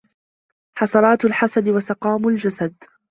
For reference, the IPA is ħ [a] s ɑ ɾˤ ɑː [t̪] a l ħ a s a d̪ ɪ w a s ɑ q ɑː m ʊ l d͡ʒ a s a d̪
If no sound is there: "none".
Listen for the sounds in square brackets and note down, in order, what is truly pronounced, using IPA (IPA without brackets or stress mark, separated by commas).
ɑ, t̪